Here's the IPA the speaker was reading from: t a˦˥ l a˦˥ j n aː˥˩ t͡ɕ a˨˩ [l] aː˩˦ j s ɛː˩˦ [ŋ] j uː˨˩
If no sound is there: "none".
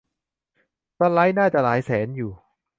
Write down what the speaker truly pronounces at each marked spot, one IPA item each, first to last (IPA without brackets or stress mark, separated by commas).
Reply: l, n